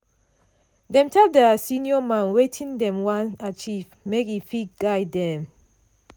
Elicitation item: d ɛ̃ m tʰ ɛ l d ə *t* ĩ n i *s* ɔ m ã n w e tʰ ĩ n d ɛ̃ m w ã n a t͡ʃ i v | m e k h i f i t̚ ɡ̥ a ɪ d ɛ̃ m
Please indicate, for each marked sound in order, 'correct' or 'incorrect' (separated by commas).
incorrect, incorrect